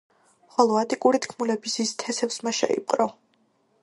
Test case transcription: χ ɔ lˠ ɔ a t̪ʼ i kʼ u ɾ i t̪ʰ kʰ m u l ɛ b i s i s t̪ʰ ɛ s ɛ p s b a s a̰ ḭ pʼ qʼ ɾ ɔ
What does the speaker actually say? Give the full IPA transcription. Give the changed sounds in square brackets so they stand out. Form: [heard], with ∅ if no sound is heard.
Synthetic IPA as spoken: χ ɔ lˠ ɔ a t̪ʼ i kʼ u ɾ i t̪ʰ kʰ m u l ɛ b i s i s t̪ʰ ɛ s ɛ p s [m] a [ʃ] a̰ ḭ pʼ qʼ ɾ ɔ